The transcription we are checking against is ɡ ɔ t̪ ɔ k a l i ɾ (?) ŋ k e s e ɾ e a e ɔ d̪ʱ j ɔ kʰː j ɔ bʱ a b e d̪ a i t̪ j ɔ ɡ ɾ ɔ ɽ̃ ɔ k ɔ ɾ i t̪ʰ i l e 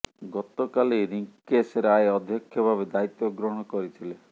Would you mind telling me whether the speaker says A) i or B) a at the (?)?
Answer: A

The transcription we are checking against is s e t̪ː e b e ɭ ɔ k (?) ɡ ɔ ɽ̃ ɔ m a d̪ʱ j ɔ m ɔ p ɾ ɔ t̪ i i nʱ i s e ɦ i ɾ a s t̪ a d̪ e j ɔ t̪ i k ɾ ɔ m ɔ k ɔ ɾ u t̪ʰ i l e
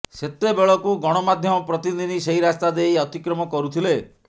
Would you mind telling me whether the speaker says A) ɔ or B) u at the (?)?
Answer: B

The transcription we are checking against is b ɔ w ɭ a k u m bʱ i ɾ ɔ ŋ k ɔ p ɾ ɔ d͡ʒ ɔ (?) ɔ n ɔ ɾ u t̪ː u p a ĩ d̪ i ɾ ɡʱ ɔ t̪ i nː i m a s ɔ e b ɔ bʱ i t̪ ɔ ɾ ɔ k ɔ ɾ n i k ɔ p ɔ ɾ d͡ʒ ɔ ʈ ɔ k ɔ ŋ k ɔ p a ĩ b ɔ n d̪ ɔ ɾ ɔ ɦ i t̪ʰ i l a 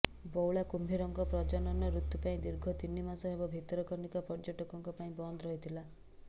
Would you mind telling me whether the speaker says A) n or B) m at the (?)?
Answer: A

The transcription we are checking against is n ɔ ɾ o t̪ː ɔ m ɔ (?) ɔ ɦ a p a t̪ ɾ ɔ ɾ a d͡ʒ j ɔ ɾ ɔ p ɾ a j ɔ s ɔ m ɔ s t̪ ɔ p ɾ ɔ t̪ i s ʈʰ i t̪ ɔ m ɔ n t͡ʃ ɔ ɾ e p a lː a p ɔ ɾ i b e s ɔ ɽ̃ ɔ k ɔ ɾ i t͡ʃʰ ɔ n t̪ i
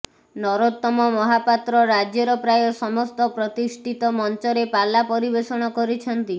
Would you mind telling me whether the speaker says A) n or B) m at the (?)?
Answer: B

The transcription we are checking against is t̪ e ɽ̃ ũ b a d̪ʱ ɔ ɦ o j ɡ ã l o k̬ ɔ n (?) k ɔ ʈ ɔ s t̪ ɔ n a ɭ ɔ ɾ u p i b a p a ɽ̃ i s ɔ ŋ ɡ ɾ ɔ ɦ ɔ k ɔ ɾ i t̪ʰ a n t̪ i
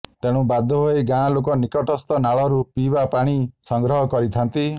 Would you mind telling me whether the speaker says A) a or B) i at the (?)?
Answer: B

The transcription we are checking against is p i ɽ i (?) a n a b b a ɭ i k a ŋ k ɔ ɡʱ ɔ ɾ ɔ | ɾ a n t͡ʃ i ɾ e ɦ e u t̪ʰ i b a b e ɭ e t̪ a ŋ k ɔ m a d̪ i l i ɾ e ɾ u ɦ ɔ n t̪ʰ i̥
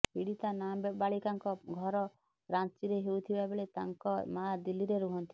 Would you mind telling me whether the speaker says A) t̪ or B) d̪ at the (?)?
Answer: A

